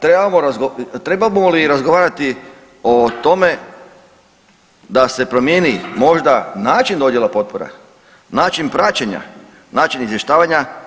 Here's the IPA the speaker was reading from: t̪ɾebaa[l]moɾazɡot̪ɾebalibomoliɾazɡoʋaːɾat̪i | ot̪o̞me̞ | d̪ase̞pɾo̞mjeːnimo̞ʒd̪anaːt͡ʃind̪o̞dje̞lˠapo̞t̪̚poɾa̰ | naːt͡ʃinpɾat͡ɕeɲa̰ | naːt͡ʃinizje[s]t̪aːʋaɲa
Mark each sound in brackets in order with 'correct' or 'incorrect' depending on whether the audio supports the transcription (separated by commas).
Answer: incorrect, incorrect